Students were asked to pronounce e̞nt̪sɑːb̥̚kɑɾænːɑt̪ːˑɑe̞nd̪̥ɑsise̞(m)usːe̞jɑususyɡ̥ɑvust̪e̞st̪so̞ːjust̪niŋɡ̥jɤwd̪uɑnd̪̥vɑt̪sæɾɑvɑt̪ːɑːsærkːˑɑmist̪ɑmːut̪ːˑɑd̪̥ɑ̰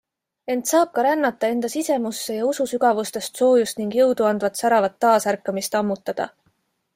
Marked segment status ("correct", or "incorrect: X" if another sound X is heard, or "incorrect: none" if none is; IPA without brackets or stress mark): correct